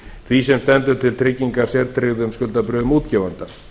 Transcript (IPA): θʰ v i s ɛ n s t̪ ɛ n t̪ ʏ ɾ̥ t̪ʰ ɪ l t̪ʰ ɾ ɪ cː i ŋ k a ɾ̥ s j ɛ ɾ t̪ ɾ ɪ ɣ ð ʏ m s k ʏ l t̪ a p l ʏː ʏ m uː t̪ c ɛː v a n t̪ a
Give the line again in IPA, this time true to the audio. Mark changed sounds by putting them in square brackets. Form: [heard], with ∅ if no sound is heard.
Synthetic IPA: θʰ v i s ɛ [m] s t̪ ɛ n t̪ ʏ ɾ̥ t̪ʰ ɪ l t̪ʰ ɾ ɪ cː i ŋ k a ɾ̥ s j ɛ ɾ t̪ ɾ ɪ ɣ ð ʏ m s k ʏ l t̪ a p [ɾ] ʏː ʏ m uː t̪ c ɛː v a n t̪ a

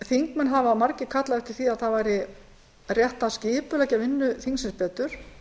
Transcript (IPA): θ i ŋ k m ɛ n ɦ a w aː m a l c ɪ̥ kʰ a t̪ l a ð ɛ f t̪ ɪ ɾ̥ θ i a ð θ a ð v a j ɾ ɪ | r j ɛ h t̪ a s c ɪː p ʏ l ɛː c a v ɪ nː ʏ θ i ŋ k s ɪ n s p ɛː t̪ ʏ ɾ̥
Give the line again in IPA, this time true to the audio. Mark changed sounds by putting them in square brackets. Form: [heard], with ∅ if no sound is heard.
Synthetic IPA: θ i ŋ k m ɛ n ɦ a [v] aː m a [ɾ] c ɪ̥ kʰ a t̪ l a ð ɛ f t̪ ɪ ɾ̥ θ i a ð θ a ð v a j ɾ ɪ | r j ɛ h t̪ a s c ɪː p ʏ l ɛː c a v ɪ nː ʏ θ i ŋ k s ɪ n s p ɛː t̪ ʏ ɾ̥

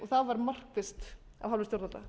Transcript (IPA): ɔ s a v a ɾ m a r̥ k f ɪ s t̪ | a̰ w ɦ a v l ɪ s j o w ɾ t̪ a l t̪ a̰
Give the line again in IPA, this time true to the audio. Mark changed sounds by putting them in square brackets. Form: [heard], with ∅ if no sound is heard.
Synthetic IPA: ɔ [θ] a v a ɾ m a r̥ k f ɪ s t̪ | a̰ [v] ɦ a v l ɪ s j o w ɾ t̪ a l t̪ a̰

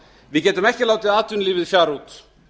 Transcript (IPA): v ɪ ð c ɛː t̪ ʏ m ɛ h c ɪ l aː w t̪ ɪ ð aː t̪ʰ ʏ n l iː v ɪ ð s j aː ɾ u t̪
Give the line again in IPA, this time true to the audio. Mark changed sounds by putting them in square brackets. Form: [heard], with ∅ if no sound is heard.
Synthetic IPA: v ɪ ð c ɛː t̪ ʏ m ɛ h c ɪ l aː w t̪ ɪ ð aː [t̪] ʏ n l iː v ɪ ð [f] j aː ɾ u t̪

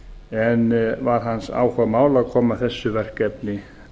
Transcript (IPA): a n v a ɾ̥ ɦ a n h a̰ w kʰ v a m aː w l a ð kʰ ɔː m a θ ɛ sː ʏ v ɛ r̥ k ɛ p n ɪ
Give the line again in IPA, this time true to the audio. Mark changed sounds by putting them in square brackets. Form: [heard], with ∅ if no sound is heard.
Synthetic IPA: [ɛ] n v a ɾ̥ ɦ a n [s] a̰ w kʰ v a m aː w l a ð kʰ ɔː m a θ ɛ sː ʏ v ɛ r̥ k ɛ p n ɪ

